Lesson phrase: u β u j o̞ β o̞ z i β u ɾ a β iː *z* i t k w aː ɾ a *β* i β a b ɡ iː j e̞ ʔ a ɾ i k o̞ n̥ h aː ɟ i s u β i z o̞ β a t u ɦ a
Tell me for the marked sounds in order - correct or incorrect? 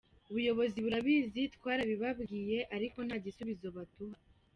correct, correct

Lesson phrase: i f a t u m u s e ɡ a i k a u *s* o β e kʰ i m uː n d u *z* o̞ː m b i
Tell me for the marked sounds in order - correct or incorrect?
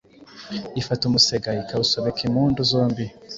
correct, correct

